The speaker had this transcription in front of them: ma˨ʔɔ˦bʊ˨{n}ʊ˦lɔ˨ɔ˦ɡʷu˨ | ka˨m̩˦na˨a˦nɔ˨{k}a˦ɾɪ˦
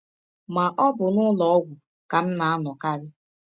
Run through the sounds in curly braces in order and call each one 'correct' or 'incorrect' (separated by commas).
correct, correct